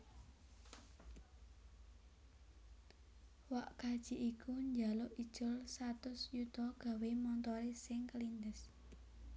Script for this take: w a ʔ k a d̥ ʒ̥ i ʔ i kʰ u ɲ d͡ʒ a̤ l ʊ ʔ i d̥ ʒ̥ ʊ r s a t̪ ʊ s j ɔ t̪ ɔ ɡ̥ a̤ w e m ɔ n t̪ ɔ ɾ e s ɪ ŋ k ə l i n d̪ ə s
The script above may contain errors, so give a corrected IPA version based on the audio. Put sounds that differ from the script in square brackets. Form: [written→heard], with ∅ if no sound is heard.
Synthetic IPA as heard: w a ʔ k a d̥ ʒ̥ i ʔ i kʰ u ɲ d͡ʒ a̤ l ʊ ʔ i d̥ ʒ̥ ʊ [r→l] s a t̪ ʊ s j [ɔ→u] t̪ ɔ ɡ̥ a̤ w e m ɔ n t̪ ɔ ɾ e s ɪ ŋ k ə l i n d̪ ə s